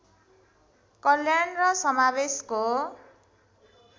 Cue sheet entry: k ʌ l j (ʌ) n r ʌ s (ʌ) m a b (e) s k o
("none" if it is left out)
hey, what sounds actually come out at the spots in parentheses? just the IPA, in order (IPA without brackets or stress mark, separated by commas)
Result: a, ʌ, e